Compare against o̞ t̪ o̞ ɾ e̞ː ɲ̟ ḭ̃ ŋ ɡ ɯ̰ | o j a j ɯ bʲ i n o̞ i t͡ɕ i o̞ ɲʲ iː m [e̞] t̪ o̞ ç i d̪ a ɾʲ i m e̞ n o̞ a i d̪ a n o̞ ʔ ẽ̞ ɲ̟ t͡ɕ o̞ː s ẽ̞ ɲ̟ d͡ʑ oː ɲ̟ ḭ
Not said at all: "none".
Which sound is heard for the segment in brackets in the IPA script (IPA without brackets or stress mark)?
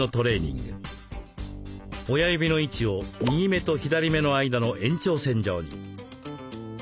e̞